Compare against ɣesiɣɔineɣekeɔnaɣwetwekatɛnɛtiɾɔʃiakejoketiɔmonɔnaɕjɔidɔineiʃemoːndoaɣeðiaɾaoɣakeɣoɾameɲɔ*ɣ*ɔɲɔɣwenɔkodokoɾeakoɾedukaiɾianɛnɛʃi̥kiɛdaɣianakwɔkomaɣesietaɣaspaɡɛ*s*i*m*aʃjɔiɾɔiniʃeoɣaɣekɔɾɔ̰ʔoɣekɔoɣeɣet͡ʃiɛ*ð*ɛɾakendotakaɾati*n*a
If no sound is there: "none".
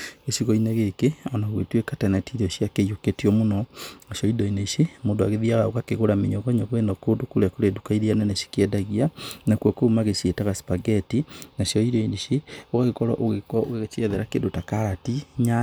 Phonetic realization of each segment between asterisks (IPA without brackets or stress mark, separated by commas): ɣ, t, n, ð, ɲ